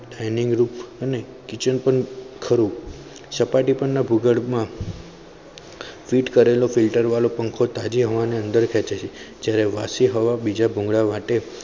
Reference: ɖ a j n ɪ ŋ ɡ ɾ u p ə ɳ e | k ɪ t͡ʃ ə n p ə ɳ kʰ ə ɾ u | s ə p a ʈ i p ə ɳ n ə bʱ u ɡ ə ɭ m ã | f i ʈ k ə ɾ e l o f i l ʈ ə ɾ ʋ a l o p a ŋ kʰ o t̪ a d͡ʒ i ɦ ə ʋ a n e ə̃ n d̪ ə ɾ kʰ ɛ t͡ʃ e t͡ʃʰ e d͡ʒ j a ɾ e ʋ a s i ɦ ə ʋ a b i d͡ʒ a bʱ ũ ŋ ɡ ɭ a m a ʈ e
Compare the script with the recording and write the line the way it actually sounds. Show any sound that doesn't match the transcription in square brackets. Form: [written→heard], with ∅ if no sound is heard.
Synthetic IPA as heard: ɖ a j n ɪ ŋ ɡ ɾ u p ə [ɳ→n] e | k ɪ t͡ʃ ə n p ə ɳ kʰ ə ɾ u | s ə p a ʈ i p ə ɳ n [ə→a] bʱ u ɡ ə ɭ m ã | f i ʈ k ə ɾ e l o f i l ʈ ə ɾ ʋ a l o p [a→ə] ŋ kʰ o t̪ a d͡ʒ i ɦ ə ʋ a n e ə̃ n d̪ ə ɾ kʰ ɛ t͡ʃ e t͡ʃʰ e d͡ʒ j a ɾ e ʋ a s i ɦ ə ʋ a b i d͡ʒ a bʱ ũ ŋ ɡ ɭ a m a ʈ e